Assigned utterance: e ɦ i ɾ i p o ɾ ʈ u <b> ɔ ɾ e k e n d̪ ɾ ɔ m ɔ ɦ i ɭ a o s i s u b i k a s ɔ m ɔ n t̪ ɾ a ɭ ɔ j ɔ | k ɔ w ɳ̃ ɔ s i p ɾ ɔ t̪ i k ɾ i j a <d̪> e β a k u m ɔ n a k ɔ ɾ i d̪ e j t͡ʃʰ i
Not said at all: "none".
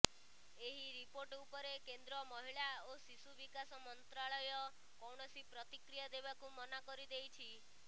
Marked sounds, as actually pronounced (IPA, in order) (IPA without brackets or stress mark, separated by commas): p, d̪